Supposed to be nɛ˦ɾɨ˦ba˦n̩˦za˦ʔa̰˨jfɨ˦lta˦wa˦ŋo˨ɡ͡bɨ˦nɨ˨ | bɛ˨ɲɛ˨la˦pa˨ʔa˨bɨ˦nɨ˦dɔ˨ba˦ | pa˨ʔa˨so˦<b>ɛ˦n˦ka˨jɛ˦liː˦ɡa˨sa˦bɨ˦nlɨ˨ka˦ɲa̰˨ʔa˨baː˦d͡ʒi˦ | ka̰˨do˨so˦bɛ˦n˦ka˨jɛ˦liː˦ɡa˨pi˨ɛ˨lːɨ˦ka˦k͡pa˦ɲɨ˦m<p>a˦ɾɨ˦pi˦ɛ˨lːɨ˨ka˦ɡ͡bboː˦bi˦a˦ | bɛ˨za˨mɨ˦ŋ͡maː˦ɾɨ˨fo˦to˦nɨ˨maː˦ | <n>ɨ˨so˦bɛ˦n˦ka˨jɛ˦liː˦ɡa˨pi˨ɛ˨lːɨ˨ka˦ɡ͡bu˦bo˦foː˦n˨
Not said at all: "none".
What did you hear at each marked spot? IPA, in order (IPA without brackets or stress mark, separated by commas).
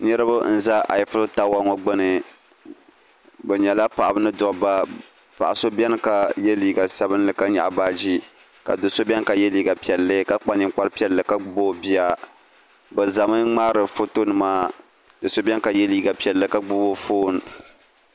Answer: b, k͡p, d